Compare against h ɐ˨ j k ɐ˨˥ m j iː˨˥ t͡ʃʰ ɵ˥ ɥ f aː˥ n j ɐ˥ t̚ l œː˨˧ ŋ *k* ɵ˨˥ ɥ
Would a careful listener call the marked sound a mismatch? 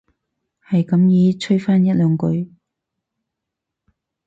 no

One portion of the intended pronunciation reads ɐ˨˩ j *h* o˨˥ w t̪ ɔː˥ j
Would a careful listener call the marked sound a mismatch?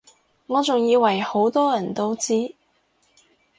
no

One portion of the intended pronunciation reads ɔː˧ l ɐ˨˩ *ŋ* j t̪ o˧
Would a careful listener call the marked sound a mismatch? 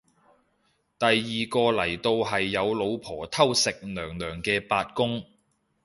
yes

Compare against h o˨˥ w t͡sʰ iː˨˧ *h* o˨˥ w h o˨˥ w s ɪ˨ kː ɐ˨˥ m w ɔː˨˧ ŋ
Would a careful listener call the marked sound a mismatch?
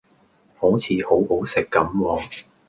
no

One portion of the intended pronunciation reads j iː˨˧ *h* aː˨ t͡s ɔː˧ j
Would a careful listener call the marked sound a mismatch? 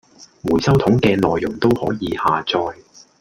no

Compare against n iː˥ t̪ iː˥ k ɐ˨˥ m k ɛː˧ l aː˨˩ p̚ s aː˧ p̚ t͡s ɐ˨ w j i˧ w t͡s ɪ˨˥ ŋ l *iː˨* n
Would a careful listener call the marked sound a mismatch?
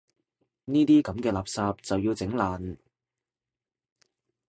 yes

